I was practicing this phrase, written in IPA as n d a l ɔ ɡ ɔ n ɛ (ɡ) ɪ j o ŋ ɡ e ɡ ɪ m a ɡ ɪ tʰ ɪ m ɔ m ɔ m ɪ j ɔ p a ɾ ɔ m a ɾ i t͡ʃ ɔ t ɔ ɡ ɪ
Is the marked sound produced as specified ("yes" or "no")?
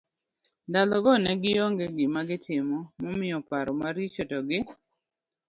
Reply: yes